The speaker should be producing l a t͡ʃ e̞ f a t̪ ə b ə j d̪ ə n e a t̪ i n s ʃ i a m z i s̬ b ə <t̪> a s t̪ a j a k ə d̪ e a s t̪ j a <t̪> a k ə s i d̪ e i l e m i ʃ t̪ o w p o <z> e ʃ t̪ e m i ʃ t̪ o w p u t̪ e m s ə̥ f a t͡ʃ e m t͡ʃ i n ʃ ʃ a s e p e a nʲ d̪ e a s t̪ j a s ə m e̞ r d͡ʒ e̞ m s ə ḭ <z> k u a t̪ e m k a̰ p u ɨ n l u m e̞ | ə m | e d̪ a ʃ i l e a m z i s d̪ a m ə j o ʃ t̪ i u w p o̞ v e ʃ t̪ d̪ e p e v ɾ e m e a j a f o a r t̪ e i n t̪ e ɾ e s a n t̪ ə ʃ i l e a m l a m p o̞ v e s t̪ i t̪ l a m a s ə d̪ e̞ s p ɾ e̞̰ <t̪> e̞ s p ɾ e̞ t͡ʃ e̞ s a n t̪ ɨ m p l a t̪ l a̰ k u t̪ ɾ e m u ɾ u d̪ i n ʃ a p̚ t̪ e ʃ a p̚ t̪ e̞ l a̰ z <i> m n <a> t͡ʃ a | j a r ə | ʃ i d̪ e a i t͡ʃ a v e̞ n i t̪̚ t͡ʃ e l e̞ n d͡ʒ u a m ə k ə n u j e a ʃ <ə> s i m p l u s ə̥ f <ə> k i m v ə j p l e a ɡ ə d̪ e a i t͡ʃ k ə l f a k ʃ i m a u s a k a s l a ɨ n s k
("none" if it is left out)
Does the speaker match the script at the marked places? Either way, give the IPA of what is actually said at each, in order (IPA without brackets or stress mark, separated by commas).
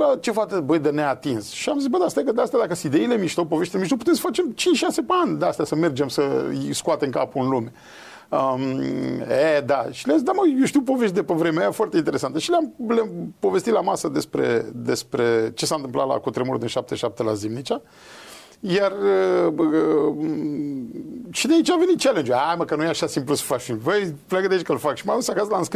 d̪, d̪, v, s, d̪, i, i, a, a